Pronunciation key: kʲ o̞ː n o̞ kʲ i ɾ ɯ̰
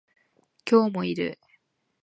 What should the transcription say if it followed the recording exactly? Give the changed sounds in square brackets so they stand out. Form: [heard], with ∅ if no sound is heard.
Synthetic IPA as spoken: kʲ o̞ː [m] o̞ [∅] i ɾ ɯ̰